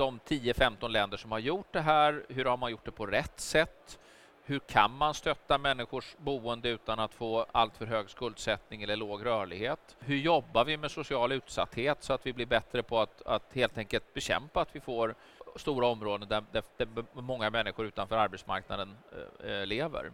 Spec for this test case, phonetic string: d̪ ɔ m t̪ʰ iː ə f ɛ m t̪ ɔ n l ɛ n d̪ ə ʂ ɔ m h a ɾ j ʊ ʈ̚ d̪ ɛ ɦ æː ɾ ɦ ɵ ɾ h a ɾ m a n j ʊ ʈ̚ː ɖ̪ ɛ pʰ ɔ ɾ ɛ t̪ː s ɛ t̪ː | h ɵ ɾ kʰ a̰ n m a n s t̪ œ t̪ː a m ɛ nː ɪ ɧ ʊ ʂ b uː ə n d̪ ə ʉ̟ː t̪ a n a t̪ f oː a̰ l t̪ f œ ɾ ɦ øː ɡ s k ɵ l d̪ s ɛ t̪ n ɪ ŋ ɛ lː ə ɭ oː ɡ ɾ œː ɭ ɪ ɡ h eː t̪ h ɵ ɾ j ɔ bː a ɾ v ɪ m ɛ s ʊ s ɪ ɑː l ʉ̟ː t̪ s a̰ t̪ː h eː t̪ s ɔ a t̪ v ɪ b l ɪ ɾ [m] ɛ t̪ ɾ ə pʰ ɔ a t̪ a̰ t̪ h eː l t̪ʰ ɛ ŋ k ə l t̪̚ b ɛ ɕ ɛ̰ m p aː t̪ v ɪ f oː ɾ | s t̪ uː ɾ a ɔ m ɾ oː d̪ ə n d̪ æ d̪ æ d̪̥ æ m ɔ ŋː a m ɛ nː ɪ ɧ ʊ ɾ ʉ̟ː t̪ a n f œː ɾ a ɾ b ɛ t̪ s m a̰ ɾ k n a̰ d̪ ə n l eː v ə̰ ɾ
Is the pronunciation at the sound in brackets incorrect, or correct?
incorrect